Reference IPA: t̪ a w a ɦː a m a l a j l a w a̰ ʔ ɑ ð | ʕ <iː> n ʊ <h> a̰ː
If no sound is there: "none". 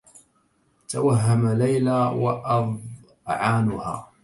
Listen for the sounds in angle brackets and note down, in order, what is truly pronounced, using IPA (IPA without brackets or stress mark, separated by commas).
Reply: aː, h